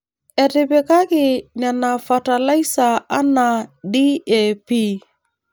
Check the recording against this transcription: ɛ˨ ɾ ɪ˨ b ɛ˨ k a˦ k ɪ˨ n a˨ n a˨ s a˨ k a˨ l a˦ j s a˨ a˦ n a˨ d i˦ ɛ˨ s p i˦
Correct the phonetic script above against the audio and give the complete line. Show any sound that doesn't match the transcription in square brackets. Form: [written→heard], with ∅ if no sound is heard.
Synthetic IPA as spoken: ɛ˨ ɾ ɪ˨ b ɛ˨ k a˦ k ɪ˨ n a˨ n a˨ [s→f] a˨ [k→t] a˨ l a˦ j s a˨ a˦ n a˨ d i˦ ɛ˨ [s→∅] p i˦